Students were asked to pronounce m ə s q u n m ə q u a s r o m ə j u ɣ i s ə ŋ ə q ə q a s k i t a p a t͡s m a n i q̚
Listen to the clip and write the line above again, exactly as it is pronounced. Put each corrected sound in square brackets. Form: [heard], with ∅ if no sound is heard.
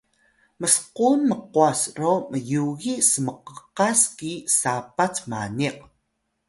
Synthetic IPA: m ə s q u n m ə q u a s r o m ə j u ɣ i s ə [m] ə q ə q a s k i [s] a p a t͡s m a n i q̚